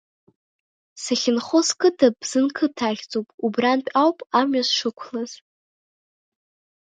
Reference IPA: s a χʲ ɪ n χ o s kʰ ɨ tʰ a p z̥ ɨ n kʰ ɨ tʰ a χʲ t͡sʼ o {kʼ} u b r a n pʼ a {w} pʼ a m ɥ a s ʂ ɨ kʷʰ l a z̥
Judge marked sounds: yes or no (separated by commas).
no, yes